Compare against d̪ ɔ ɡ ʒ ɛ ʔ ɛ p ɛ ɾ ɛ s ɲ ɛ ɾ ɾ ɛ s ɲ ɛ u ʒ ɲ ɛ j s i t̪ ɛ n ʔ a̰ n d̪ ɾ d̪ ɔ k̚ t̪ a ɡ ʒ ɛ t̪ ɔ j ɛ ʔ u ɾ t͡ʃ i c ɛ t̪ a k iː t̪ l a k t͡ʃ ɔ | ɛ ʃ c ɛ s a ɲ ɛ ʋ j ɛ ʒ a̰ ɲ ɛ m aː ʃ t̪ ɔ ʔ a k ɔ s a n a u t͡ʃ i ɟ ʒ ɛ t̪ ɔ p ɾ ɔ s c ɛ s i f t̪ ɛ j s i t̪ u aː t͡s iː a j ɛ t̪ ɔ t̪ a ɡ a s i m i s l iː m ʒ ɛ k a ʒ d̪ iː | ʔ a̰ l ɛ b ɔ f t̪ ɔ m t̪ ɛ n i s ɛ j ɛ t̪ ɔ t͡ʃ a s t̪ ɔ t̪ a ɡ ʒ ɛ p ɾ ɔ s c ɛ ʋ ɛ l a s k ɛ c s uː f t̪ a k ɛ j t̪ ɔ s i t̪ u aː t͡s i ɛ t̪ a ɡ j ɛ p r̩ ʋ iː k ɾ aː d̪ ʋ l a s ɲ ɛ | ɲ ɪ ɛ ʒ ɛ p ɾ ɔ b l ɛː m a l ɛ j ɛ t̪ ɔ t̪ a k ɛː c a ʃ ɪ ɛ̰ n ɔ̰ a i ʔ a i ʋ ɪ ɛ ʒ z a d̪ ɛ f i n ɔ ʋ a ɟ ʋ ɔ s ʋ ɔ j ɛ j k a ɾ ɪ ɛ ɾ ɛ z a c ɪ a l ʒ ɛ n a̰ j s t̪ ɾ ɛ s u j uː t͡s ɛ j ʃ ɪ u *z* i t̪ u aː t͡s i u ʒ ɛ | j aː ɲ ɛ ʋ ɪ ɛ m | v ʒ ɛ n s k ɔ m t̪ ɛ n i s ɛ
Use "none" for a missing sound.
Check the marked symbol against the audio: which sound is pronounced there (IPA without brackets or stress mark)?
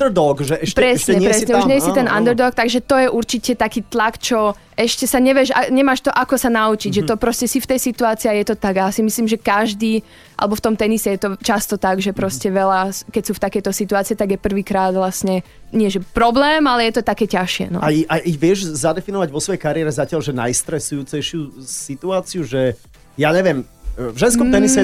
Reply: s